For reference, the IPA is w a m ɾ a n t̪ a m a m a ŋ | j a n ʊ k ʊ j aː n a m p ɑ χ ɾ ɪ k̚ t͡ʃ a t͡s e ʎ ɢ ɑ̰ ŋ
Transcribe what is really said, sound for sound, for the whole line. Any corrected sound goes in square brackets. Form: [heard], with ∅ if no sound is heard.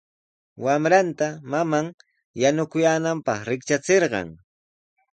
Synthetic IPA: w a m ɾ a n t̪ a m a m a ŋ | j a n ʊ k ʊ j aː n a m p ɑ χ ɾ ɪ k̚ t͡ʃ a t͡s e [ɾ] ɢ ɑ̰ ŋ